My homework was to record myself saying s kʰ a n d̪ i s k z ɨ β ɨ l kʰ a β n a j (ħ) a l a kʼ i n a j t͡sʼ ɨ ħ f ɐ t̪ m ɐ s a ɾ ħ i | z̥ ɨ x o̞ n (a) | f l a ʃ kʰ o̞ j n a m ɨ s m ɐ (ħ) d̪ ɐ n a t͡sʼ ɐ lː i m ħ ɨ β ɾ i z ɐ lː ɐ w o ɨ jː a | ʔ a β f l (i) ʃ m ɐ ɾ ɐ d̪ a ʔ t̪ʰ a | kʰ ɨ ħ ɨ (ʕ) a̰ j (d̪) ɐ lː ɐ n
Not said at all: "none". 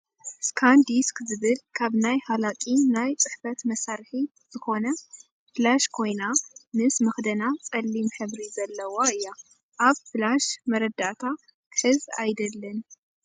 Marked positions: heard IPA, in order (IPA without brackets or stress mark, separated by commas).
h, ɐ, x, a, z, d̪